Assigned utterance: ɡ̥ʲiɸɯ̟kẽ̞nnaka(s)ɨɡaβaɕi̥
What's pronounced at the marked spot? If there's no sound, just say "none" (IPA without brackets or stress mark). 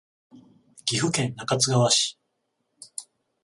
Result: t͡s